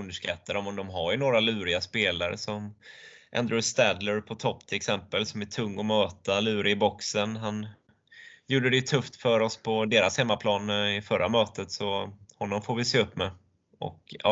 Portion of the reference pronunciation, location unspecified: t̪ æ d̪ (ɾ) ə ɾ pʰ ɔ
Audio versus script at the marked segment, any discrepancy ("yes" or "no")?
yes